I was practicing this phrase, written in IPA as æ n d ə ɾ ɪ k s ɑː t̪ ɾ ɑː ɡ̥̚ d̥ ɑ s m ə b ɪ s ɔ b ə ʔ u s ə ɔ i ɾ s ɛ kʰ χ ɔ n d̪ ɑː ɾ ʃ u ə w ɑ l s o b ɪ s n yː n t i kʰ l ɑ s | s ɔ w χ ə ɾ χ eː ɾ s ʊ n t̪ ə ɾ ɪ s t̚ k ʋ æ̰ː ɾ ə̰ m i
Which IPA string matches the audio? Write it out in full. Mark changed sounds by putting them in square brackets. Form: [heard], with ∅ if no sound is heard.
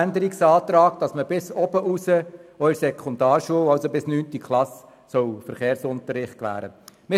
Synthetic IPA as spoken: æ n d ə ɾ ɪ k s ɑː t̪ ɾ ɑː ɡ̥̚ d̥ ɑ s m ə b ɪ s ɔ b ə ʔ u s ə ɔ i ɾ s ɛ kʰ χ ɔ n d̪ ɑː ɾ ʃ u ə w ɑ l s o b ɪ s n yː n t i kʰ l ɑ s | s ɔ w [f] ə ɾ χ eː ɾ s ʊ n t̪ ə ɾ ɪ [χ] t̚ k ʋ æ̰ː ɾ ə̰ m [ɪ]